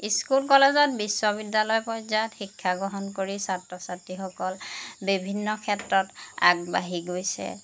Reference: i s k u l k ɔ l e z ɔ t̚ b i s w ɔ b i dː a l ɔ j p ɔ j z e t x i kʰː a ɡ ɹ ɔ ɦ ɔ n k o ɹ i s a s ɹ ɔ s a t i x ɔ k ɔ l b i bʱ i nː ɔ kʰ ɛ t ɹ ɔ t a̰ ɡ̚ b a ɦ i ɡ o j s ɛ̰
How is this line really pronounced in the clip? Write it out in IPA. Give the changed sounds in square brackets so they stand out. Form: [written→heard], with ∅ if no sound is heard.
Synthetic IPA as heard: i s k u l k ɔ l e z ɔ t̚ b i s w ɔ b i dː a l ɔ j p ɔ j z [e→a] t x i kʰː a ɡ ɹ ɔ ɦ ɔ n k o ɹ i s a [s→t] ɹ ɔ s a t i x ɔ k ɔ l b i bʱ i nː ɔ kʰ ɛ t ɹ ɔ t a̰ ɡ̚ b a ɦ i ɡ o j s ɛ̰